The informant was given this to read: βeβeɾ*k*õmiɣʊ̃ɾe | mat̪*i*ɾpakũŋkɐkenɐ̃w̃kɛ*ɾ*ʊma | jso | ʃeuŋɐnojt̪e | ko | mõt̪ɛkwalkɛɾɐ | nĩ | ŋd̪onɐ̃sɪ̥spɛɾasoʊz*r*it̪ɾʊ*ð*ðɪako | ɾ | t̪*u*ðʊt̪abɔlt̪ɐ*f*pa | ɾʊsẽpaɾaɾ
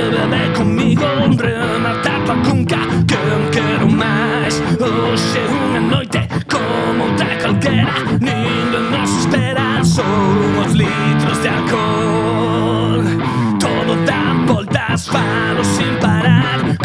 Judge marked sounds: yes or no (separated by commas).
yes, no, yes, no, no, no, no